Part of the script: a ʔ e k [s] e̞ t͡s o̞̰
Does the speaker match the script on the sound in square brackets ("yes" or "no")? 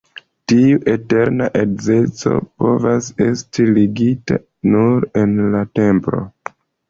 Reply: no